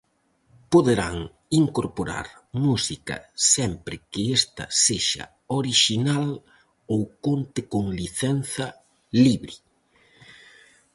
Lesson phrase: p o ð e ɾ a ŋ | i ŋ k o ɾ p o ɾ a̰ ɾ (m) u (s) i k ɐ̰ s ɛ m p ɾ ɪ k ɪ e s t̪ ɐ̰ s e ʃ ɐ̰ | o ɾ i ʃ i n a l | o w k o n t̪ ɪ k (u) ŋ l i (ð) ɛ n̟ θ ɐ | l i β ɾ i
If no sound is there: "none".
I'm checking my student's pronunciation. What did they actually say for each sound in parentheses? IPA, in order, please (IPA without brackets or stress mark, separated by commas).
m, s, o, θ